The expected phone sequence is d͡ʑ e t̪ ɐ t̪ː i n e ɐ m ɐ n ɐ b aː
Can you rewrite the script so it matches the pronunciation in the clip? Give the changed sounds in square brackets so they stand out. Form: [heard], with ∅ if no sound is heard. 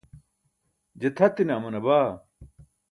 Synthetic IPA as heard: d͡ʑ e [t̪ʰ] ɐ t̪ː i n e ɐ m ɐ n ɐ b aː